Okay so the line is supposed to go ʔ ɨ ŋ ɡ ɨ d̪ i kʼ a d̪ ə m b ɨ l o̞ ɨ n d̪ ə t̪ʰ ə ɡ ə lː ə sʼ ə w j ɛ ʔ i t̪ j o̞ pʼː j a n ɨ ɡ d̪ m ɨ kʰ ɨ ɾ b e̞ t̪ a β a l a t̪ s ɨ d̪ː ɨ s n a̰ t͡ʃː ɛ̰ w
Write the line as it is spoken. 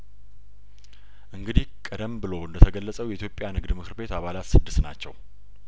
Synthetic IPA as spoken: ʔ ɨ ŋ ɡ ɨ d̪ i kʼ ə d̪ ə m b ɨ l o̞ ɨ n d̪ ə t̪ʰ ə ɡ ə lː ə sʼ ə w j ɛ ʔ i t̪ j o̞ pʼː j a n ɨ ɡ d̪ m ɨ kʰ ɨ ɾ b e̞ t̪ a β a l a t̪ s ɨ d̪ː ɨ s n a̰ t͡ʃː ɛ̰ w